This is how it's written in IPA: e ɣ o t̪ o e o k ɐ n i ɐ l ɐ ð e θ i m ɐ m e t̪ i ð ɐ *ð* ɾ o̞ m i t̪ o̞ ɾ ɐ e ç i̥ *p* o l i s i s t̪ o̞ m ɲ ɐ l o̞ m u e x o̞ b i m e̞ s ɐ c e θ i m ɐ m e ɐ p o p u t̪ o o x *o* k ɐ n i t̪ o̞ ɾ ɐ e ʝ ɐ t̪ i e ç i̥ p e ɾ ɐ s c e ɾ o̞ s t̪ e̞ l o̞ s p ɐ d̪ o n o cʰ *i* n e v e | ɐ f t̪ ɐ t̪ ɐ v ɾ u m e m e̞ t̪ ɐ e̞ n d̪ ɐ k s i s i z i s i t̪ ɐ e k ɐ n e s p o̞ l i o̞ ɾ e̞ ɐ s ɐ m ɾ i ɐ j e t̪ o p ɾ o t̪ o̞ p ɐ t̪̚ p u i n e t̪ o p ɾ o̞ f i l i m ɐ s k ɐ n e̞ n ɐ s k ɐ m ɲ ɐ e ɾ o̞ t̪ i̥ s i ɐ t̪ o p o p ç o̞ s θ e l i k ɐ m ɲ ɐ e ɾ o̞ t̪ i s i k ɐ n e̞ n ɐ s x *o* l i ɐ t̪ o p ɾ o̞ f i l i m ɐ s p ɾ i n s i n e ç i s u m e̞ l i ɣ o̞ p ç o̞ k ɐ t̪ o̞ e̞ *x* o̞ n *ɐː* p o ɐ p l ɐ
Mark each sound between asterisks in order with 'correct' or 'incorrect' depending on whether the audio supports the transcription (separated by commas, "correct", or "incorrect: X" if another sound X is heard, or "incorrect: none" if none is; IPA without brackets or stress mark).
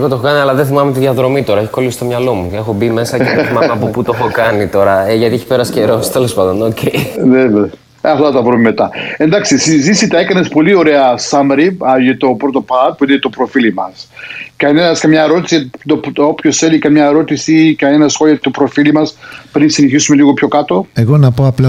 correct, incorrect: k, correct, incorrect: e, correct, incorrect: ɣ, incorrect: ɐ